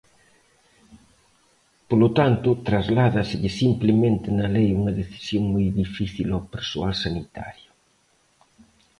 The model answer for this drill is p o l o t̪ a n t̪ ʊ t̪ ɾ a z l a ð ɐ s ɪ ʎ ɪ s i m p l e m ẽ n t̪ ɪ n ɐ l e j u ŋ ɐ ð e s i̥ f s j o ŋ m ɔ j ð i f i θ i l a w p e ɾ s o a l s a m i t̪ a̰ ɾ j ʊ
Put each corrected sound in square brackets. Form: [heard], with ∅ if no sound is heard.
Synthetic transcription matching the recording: p o l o t̪ a n t̪ ʊ t̪ ɾ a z l a ð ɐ s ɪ ʎ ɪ s i m p l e m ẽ n t̪ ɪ n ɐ l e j u ŋ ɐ ð e [θ] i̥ [∅] s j o ŋ m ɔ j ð i f i θ i l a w p e ɾ s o a l s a [n] i t̪ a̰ ɾ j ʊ